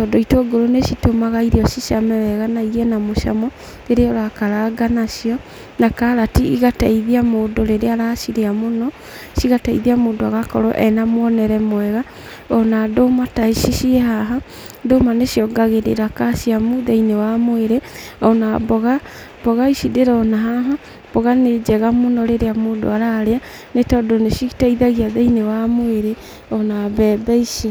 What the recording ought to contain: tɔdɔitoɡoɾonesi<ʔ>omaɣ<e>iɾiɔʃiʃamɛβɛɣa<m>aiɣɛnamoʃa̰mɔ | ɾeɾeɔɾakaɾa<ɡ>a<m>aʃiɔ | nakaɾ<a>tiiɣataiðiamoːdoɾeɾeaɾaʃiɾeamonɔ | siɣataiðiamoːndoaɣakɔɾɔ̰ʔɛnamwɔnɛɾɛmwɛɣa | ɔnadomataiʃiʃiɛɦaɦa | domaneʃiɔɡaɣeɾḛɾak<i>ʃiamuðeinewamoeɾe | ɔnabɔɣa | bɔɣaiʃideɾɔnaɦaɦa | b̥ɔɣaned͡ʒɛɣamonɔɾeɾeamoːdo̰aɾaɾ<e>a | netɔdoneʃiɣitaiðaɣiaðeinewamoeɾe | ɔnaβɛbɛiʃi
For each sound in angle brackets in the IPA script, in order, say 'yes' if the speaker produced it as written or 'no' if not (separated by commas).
no, no, no, yes, no, yes, no, yes